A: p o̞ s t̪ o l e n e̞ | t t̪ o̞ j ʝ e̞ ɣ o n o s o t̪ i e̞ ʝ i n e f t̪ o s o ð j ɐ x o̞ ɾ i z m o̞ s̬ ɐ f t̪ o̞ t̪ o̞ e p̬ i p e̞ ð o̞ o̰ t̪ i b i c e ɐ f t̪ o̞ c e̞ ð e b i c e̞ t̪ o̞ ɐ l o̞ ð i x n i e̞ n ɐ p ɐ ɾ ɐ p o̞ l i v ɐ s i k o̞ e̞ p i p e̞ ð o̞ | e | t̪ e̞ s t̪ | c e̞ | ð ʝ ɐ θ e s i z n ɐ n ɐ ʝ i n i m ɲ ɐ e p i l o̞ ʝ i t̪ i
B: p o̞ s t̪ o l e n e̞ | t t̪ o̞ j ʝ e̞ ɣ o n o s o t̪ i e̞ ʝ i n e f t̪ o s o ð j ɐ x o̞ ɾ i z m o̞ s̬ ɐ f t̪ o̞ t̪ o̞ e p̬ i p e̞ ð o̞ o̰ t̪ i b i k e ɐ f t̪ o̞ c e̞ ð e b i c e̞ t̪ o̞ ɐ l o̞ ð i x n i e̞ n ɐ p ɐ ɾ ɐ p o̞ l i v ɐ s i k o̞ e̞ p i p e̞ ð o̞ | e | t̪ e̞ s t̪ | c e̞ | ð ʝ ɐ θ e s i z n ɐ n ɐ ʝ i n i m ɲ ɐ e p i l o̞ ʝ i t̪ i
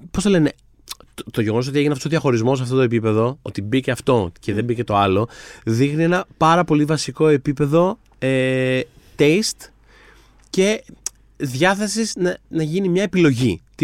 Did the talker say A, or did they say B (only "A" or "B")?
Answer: A